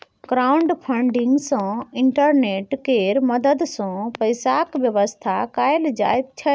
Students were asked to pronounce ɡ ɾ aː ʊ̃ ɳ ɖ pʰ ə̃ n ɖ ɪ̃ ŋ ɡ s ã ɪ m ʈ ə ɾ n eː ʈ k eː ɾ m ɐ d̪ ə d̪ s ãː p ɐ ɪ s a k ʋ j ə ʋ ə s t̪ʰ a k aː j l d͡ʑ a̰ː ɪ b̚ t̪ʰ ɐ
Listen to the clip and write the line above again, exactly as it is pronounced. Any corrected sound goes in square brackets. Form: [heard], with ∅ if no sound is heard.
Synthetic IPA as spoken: ɡ ɾ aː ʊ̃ ɳ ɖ pʰ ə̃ [ɳ] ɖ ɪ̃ ŋ ɡ s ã ɪ [ɳ] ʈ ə ɾ n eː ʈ k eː ɾ m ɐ d̪ ə d̪ s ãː p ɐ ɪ s a k ʋ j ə ʋ ə s t̪ʰ a k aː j l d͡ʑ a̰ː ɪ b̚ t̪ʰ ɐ